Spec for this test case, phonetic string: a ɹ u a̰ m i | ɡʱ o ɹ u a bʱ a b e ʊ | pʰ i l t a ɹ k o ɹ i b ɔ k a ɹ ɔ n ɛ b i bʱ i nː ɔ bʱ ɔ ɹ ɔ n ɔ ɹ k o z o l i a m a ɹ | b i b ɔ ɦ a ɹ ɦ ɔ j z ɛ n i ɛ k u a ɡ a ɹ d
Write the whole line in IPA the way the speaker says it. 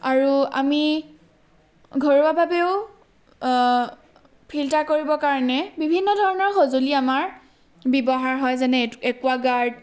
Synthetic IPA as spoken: a ɹ u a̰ m i | ɡʱ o ɹ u a bʱ a b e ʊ | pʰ i l t a ɹ k o ɹ i b ɔ k a ɹ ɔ n ɛ b i bʱ i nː ɔ dʱ ɔ ɹ ɔ n ɔ ɹ x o z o l i a m a ɹ | b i b ɔ ɦ a ɹ ɦ ɔ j z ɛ n ɛ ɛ k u a ɡ a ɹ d